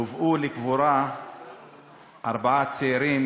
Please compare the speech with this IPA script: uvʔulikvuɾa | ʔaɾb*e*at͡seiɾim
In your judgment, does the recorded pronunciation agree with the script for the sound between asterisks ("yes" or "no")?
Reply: no